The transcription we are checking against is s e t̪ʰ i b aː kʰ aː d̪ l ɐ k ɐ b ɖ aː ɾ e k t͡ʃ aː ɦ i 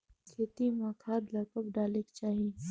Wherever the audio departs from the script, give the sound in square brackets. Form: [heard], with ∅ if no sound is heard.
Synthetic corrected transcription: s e [t̪] i [m] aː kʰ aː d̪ l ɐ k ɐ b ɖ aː [l] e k t͡ʃ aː ɦ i